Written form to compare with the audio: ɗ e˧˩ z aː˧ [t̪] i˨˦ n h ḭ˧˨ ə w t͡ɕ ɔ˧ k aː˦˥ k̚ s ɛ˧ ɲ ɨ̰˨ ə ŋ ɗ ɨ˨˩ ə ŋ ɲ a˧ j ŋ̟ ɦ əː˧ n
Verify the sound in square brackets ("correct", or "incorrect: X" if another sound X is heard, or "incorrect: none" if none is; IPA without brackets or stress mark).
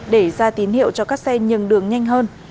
correct